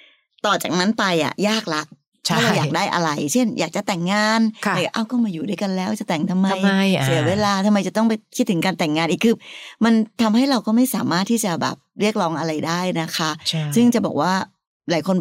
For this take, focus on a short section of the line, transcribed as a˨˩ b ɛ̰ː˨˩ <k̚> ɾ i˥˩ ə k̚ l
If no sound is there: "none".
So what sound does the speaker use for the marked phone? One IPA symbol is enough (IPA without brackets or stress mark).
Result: p̚